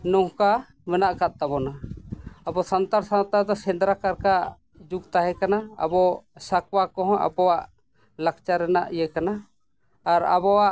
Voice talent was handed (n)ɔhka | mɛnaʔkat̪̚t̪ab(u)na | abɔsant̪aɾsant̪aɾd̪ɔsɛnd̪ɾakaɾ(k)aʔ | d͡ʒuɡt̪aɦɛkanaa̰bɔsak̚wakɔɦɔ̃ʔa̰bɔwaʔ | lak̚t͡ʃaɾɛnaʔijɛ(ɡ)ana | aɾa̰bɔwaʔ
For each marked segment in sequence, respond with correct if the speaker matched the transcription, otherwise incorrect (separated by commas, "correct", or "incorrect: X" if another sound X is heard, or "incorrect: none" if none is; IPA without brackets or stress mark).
correct, incorrect: ɔ, correct, incorrect: k